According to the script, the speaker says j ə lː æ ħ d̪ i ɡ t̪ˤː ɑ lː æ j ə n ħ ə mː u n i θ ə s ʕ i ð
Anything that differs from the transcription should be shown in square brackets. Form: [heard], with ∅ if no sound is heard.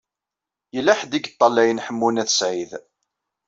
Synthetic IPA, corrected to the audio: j ə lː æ ħ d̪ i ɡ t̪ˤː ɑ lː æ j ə n ħ ə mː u n [æ] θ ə s ʕ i ð